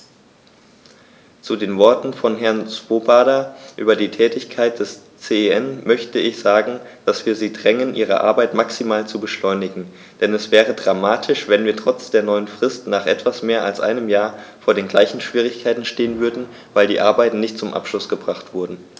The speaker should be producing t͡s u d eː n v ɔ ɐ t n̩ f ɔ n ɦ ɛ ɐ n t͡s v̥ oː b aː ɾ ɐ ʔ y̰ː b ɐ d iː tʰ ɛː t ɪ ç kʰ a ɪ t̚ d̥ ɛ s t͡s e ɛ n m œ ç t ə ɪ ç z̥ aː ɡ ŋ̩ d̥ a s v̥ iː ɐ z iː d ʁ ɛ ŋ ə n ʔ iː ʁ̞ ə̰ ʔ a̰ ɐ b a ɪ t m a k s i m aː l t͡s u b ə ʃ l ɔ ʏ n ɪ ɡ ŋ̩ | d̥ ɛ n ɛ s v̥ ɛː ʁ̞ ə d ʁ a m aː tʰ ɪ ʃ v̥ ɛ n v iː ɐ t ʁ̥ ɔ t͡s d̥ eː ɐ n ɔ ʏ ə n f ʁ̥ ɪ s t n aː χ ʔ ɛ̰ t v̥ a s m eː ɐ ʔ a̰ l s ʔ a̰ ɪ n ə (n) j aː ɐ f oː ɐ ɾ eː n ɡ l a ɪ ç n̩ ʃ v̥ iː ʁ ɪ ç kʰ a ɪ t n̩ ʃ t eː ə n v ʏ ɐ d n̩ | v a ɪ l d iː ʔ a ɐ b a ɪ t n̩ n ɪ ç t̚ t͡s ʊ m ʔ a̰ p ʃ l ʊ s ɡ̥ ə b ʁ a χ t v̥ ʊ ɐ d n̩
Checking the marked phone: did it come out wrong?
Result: yes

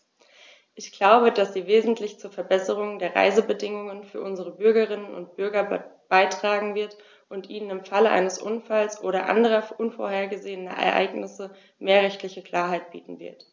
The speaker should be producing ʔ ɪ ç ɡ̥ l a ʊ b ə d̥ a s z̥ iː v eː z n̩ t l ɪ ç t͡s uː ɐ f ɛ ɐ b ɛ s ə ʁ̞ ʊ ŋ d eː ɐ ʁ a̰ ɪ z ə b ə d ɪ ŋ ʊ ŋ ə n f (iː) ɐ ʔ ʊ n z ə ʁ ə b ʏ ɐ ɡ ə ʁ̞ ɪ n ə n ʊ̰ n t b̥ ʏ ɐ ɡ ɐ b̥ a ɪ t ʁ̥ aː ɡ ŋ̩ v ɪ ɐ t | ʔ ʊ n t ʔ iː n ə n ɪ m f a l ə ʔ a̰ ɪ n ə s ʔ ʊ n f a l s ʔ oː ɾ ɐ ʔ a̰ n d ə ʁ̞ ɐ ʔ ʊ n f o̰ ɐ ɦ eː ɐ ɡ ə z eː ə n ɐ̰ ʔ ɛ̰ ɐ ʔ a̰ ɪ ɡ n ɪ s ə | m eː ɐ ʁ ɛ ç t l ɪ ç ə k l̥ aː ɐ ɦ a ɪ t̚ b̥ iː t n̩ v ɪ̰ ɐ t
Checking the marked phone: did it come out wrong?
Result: yes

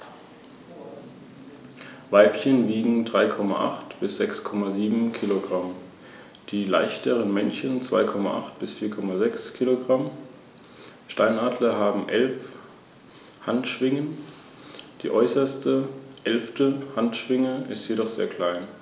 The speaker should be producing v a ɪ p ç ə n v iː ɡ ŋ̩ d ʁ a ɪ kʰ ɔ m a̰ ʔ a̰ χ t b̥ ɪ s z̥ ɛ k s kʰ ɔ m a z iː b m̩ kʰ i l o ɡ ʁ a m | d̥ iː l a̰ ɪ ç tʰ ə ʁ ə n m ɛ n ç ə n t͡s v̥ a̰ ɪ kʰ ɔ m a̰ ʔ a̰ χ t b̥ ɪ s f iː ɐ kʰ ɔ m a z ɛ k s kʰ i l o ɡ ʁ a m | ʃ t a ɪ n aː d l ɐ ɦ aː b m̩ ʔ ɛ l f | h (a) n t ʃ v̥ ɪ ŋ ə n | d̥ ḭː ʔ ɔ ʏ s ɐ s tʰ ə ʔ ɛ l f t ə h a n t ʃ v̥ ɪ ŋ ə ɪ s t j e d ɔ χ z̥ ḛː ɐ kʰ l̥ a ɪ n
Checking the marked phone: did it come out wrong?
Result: no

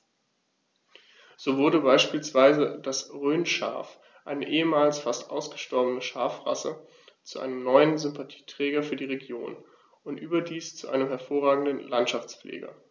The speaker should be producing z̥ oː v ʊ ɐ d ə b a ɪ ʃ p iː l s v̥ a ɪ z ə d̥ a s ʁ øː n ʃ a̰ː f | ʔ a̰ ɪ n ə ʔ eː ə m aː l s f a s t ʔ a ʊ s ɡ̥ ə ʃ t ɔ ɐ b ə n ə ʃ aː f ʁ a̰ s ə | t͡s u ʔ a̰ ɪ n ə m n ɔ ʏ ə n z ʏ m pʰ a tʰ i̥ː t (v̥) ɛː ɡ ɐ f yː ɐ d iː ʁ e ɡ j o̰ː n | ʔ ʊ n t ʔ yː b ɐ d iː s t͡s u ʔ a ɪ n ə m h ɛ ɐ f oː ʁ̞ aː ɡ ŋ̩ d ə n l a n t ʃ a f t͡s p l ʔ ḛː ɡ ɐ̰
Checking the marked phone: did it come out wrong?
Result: yes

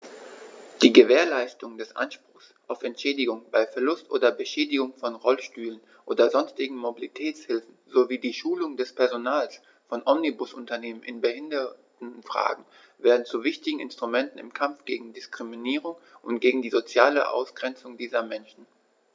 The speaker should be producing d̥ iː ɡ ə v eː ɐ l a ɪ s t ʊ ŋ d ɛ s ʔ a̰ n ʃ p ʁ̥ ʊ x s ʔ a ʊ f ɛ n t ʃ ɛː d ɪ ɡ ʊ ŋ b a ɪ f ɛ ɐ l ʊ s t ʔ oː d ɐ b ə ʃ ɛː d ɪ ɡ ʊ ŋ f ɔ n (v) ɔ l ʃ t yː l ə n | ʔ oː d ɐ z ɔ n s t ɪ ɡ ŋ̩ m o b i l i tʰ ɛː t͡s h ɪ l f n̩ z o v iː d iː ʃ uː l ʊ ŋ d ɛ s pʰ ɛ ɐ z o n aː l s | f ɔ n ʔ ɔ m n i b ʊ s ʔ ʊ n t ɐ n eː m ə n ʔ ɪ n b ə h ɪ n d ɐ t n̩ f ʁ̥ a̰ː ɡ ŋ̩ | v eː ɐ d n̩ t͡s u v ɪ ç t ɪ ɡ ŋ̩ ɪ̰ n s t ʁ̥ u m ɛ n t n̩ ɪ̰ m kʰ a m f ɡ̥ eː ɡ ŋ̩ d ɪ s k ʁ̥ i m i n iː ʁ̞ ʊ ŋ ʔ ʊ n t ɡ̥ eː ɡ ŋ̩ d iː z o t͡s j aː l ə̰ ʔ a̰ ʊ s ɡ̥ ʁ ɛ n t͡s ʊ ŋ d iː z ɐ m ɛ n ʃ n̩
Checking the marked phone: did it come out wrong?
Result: yes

